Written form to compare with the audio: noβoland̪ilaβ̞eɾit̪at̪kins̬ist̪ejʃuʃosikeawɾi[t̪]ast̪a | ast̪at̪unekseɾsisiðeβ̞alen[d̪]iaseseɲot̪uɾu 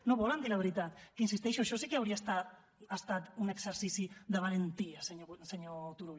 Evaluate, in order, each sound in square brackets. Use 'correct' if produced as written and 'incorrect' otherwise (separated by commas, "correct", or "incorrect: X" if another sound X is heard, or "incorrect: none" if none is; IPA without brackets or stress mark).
incorrect: none, incorrect: t̪